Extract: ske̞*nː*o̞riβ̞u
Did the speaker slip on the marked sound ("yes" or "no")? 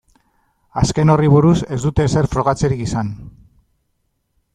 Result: yes